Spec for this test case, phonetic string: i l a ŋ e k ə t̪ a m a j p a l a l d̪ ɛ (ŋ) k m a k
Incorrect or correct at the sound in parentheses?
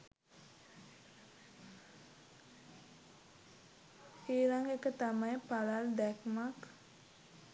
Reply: incorrect: none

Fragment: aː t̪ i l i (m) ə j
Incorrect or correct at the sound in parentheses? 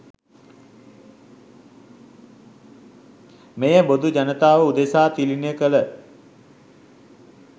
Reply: incorrect: n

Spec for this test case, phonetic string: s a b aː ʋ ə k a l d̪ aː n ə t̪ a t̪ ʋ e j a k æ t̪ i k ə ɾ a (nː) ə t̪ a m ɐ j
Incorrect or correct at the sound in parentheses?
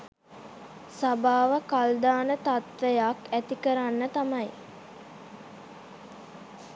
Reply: correct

